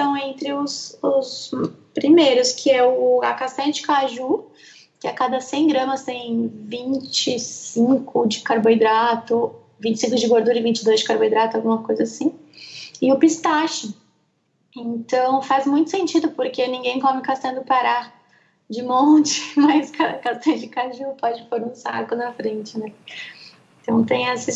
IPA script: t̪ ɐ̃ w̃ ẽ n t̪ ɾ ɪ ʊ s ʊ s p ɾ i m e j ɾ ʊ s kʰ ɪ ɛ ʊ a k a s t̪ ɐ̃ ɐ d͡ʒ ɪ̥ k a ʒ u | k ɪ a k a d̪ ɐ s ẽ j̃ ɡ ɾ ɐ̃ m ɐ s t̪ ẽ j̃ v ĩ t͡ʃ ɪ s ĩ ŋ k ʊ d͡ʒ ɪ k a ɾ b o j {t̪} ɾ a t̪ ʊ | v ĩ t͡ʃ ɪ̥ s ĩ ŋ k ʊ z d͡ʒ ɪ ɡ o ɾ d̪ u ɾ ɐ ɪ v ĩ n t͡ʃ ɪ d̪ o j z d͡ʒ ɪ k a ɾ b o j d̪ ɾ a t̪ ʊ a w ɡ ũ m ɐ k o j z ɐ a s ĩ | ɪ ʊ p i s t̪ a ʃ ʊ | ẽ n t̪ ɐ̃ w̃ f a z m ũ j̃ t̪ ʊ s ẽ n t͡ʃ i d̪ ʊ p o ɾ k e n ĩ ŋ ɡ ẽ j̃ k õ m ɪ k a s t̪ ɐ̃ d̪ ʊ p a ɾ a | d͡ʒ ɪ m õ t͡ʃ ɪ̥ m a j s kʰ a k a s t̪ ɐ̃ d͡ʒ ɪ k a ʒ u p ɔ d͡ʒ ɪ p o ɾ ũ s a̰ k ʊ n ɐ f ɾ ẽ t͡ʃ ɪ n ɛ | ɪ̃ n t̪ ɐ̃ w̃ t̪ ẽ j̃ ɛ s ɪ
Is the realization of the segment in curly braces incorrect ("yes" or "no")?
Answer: yes